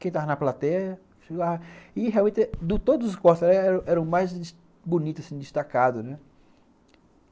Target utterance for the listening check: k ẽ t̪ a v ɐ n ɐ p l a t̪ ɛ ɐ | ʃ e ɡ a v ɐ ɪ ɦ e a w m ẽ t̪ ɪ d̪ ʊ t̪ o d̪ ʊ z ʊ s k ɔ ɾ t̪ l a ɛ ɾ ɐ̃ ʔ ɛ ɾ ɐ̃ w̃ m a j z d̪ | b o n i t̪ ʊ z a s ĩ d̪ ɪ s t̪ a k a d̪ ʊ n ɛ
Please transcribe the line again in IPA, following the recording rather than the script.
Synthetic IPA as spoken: k ẽ t̪ a v ɐ n ɐ p l a t̪ ɛ ɐ | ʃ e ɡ a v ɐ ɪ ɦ e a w m ẽ t̪ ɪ d̪ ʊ t̪ o d̪ ʊ z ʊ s k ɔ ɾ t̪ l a ɛ ɾ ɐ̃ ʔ ɛ ɾ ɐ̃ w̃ m a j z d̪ | b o n i t̪ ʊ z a s ĩ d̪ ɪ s t̪ a k a d̪ ʊ n ɛ